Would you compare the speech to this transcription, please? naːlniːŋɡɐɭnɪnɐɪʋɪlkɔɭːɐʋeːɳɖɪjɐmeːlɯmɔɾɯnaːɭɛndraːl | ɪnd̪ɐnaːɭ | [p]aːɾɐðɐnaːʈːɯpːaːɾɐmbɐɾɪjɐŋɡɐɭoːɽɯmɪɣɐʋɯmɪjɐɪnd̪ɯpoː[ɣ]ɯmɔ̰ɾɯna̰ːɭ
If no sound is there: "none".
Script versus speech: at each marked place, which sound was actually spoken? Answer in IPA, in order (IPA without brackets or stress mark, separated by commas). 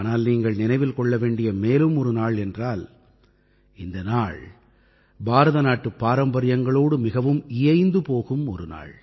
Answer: b, ɣ